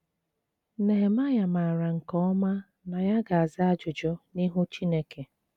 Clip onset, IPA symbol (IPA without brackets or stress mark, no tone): n